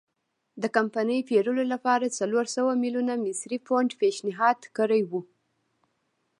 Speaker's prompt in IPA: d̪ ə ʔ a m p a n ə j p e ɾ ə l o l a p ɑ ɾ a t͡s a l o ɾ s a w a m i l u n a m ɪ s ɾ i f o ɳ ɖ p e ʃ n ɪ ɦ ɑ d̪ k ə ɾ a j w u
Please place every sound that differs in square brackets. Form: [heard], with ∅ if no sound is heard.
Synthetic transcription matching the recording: d̪ ə [k] a m p a n ə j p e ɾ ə l o l a p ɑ ɾ a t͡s a l o ɾ s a w a m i l u n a m ɪ s ɾ i f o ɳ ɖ p e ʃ n ɪ ɦ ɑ d̪ k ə ɾ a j w u